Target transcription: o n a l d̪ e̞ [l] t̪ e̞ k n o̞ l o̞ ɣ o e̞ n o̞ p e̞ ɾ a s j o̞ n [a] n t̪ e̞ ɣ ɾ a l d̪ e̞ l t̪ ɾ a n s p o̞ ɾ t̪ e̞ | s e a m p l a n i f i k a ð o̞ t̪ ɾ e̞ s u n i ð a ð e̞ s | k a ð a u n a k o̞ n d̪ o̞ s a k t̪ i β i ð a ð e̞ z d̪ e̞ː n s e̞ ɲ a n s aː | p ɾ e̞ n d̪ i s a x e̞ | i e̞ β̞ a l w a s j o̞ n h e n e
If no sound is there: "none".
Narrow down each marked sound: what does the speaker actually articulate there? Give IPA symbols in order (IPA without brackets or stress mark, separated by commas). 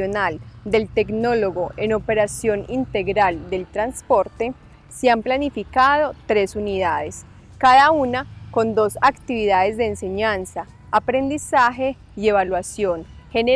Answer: l, i